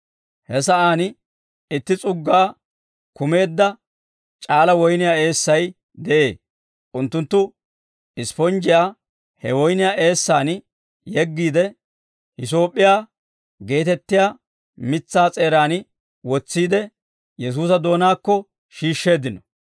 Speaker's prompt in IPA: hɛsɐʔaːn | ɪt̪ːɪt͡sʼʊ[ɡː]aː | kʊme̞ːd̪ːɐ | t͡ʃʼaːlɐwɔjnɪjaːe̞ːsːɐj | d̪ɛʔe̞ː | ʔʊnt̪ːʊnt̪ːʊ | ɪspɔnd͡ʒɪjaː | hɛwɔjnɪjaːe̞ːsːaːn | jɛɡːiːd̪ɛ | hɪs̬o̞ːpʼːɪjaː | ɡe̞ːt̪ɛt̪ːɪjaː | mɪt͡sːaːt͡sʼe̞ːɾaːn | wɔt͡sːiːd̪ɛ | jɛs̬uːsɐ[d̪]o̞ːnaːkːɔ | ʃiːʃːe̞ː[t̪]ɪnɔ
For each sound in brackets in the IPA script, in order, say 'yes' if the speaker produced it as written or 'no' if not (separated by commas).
yes, yes, no